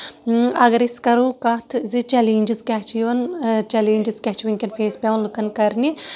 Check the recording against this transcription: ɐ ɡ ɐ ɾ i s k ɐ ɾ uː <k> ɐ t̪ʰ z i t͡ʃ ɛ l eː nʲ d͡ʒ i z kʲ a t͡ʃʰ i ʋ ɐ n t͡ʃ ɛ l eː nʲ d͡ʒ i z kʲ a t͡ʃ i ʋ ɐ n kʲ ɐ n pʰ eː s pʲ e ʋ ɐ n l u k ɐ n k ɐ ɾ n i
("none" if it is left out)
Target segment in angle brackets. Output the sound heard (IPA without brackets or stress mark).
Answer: k